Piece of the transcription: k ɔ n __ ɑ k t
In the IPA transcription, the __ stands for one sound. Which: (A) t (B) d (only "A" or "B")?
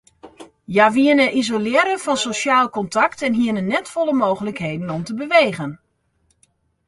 A